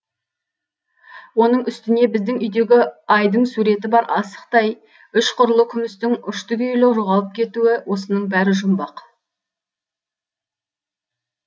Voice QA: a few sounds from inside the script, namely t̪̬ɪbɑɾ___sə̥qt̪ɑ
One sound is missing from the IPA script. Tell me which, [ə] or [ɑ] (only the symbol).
ɑ